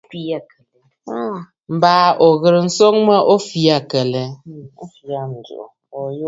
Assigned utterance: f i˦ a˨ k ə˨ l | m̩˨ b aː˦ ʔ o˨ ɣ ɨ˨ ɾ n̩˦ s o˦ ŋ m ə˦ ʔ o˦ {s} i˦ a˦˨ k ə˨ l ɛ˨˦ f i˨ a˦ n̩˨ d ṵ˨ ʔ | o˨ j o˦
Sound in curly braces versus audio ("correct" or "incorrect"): incorrect